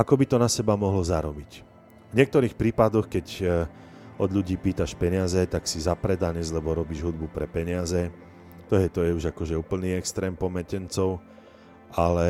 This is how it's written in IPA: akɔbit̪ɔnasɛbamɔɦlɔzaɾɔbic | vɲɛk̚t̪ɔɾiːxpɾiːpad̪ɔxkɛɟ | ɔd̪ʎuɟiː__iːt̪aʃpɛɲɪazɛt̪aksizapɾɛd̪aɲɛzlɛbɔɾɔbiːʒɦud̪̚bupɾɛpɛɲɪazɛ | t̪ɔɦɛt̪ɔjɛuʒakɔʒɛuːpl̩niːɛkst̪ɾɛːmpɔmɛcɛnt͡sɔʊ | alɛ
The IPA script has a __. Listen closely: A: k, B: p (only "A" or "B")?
B